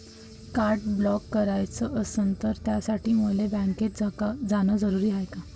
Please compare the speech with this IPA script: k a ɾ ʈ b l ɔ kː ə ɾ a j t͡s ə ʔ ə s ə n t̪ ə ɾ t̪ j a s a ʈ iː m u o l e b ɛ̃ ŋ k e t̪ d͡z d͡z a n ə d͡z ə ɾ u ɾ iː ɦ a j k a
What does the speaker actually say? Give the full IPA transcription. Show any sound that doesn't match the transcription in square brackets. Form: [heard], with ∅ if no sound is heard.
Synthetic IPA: k a ɾ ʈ b l ɔ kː ə ɾ a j t͡s ə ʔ ə s ə n t̪ ə ɾ t̪ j a s a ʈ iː m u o l e b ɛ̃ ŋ k e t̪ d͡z d͡z a n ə d͡z ə ɾ u ɾ iː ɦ a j k a